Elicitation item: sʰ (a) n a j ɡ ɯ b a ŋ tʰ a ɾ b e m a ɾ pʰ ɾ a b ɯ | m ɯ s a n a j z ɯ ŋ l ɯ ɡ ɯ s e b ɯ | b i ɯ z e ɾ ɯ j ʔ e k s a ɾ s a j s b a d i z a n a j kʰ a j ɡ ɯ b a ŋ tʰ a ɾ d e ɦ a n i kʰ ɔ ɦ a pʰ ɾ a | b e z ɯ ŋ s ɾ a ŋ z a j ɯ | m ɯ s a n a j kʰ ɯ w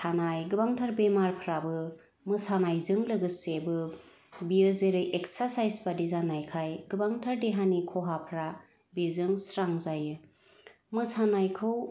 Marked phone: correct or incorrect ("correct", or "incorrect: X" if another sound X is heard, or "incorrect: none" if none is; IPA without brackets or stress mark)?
correct